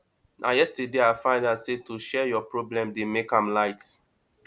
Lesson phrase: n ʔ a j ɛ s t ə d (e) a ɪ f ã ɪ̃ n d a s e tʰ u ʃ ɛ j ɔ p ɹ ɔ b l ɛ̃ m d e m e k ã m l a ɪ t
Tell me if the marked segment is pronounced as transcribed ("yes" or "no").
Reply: yes